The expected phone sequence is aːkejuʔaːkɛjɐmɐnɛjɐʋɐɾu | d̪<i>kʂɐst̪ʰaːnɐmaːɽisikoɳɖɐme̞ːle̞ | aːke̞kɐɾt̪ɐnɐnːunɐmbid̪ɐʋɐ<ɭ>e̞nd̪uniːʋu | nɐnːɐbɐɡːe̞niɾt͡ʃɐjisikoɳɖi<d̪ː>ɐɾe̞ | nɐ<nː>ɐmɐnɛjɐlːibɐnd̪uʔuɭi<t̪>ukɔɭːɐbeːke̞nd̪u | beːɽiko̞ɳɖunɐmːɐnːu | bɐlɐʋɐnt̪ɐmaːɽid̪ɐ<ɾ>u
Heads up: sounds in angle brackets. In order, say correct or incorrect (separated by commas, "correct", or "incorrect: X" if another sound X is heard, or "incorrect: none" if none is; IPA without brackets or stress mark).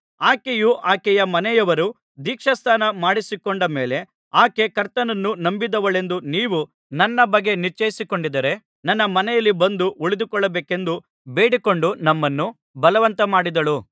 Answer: incorrect: iː, correct, incorrect: d̪, correct, incorrect: d̪, incorrect: ɭ